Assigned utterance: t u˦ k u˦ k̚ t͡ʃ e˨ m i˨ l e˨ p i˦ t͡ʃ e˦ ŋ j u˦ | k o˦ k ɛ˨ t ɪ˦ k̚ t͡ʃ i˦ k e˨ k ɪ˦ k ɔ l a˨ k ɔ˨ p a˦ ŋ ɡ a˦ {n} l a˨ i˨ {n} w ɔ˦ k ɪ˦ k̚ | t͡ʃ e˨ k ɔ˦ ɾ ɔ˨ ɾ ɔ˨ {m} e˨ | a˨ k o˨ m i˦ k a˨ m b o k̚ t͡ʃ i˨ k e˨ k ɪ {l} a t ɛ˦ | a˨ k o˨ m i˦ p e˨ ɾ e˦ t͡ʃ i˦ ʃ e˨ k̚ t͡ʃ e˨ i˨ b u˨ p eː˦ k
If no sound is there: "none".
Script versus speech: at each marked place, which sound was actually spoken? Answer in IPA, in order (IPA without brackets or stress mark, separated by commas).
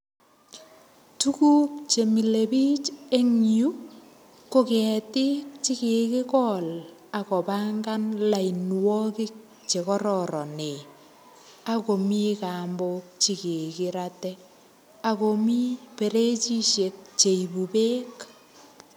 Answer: n, n, n, ɾ